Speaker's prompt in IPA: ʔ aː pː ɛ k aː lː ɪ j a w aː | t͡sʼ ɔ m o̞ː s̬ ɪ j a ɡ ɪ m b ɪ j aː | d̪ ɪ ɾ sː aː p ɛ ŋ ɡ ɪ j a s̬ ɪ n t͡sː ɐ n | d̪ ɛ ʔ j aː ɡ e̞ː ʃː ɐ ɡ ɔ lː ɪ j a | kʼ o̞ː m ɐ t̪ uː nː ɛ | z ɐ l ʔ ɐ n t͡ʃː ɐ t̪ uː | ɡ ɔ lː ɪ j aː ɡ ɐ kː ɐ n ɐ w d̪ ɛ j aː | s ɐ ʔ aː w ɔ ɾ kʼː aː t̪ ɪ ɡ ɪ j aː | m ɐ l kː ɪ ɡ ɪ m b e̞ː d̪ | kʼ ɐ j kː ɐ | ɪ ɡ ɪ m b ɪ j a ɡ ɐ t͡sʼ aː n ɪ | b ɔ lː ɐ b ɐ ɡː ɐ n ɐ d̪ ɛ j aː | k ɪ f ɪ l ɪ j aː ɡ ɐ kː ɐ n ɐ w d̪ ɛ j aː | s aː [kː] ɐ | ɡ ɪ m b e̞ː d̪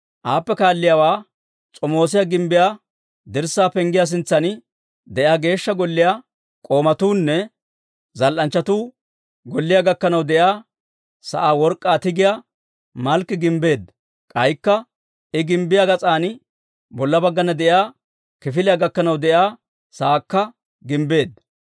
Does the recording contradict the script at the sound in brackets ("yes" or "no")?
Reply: no